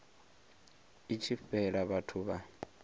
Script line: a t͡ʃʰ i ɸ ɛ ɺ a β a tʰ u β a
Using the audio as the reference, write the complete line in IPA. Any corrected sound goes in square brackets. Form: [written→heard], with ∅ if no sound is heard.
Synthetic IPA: [a→i] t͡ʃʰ i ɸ ɛ ɺ a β a tʰ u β a

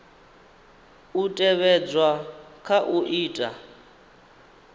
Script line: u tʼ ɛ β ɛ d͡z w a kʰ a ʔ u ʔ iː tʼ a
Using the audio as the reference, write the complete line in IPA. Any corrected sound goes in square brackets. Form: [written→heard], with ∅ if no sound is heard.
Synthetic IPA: u tʼ ɛ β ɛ d͡z w a kʰ a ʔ u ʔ iː tʼ a

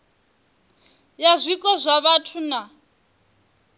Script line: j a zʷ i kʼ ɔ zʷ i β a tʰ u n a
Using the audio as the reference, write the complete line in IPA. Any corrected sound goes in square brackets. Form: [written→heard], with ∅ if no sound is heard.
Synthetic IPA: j a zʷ i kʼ ɔ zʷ [i→a] β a tʰ u n a

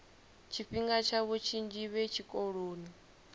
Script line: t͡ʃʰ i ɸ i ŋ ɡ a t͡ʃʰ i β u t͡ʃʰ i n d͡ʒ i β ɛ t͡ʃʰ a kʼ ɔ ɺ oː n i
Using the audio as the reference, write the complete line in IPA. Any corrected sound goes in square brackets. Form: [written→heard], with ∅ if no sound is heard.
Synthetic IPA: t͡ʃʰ i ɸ i ŋ ɡ a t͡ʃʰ [i→a] β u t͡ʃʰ i n d͡ʒ i β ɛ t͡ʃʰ [a→i] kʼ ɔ ɺ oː n i

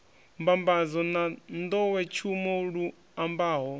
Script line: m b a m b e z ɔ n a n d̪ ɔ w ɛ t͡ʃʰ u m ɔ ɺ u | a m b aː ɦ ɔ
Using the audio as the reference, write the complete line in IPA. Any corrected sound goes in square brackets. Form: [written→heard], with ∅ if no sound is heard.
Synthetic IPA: m b a m b [e→a] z ɔ n a n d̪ ɔ w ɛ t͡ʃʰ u m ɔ ɺ u | a m b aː ɦ ɔ

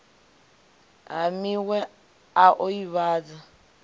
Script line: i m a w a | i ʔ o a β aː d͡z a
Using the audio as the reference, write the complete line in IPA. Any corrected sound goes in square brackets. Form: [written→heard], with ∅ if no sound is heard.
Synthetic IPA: [i→a] m [a→i] w [a→ɛ] | [i→a] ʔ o [a→i] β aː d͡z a

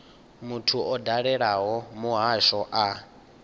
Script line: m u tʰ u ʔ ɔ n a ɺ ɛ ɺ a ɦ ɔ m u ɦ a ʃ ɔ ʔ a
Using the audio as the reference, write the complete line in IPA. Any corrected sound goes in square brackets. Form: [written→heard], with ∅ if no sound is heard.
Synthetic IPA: m u tʰ u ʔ ɔ [n→d] a ɺ ɛ ɺ a ɦ ɔ m u ɦ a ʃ ɔ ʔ a

